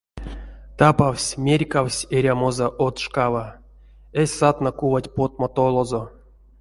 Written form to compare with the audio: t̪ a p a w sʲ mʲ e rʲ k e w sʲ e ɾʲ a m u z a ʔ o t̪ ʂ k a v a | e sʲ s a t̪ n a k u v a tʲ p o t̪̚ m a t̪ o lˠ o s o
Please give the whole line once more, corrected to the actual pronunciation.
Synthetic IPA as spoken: t̪ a p a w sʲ mʲ e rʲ k a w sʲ e ɾʲ a m o z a ʔ o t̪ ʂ k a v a | e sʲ s a t̪ n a k u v a tʲ p o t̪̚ m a t̪ o lˠ o z o

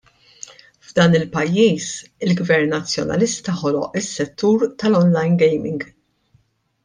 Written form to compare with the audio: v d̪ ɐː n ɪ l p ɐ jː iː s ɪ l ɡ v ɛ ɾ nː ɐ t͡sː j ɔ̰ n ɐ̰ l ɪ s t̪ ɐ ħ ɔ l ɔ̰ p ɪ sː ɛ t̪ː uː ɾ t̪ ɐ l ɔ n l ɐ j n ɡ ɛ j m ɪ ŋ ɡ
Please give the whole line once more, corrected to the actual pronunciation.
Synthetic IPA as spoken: v d̪ ɐː n ɪ l p ɐ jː iː s ɪ l ɡ v ɛ ɾ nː ɐ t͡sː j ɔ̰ n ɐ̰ l ɪ s t̪ ɐ ħ ɔ l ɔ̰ ʔ ɪ sː ɛ t̪ː uː ɾ t̪ ɐ l ɔ n l ɐ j n ɡ ɛ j m ɪ ŋ ɡ

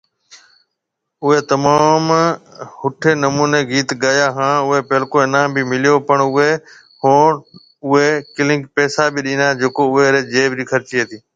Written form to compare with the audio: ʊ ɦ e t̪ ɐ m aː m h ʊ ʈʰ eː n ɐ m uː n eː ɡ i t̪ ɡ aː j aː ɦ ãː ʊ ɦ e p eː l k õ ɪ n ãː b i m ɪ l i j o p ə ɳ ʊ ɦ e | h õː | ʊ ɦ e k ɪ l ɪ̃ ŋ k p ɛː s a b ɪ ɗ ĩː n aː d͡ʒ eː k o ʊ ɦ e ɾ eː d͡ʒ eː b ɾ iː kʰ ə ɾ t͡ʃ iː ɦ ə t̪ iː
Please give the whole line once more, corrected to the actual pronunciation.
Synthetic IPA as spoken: ʊ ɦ e t̪ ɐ m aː m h ʊ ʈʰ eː n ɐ m uː n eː ɡ iː t̪ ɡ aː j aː ɦ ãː ʊ ɦ e p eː l k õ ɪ n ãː b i m ɪ l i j o p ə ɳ ʊ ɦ e | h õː | ʊ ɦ e k ɪ l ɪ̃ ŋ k p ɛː s a b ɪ ɗ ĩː n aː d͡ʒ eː k o ʊ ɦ e ɾ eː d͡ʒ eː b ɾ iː kʰ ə ɾ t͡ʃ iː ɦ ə t̪ iː

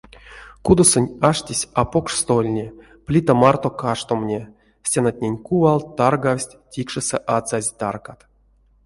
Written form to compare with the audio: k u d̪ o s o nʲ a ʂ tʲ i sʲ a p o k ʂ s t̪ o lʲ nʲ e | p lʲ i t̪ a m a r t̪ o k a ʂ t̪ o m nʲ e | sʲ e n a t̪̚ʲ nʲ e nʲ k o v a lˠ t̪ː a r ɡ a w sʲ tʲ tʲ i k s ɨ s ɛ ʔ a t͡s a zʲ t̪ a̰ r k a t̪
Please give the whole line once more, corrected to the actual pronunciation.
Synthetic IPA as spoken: k u d̪ o s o nʲ a ʂ tʲ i sʲ a p o k ʂ s t̪ o lʲ nʲ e | p lʲ i t̪ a m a r t̪ o k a ʂ t̪ o m nʲ e | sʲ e n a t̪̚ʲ nʲ e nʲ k u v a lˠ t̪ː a r ɡ a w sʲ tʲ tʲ i k ʂ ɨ s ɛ ʔ a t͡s a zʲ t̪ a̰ r k a t̪

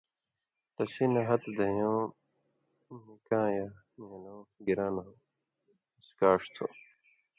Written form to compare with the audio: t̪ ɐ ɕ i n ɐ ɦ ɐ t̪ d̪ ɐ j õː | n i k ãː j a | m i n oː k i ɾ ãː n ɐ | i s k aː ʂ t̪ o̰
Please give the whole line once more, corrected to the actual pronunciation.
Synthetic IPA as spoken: t̪ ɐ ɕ i n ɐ ɦ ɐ t̪ d̪ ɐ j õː | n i k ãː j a | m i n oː ɡ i ɾ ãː n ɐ | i s k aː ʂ t̪ʰ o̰

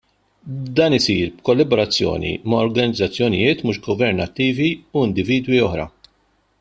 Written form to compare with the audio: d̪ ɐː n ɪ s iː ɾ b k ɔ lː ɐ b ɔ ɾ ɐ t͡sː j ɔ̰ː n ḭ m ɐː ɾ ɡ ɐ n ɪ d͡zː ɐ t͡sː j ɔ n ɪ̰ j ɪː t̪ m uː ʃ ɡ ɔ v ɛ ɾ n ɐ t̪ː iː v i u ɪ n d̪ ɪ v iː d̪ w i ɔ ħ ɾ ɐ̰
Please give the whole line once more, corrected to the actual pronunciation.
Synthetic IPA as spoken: d̪ ɐː n ɪ s iː ɾ b k ɔ lː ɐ b ɔ ɾ ɐ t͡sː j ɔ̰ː n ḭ m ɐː ɾ ɡ ɐ n ɪ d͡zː ɐ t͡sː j ɔ n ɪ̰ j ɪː t̪ m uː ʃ ɡ ɔ v ɛ ɾ n ɐ t̪ː iː v i u ɪ n d̪ ɪ v iː d̪ w i ɔ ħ ɾ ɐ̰

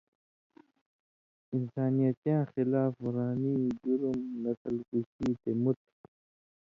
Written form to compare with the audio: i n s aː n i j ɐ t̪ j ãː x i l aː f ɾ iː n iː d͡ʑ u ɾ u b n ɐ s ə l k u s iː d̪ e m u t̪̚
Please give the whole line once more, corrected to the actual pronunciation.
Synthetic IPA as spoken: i n s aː n i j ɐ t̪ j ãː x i l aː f ɾ aː n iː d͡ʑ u ɾ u m n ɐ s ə l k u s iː t̪ e m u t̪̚

